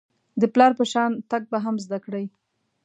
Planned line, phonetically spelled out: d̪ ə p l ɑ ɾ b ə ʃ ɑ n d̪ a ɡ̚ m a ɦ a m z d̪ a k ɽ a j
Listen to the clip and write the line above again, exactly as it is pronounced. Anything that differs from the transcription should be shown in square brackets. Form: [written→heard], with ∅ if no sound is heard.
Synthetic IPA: d̪ ə p l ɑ ɾ [b→p] ə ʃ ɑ n [d̪→t̪] a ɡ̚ [m→b] a ɦ a m z d̪ a k ɽ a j